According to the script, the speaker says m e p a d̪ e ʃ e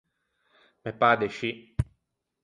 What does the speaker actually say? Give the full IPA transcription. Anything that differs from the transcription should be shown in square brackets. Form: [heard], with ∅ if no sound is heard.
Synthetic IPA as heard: m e p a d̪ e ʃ [i]